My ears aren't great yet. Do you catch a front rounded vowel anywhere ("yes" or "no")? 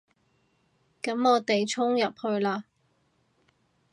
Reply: no